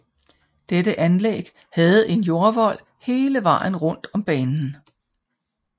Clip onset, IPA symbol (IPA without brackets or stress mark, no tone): d̥